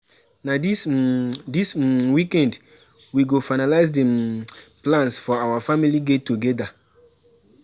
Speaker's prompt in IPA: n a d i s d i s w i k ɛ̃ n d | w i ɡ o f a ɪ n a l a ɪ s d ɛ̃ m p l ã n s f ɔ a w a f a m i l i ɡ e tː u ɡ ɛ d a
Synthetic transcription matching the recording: n a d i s d i s w i k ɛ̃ n d | w i ɡ o f a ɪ n a l a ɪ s d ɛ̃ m p l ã n s f ɔ a w a f a m i l i ɡ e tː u ɡ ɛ d a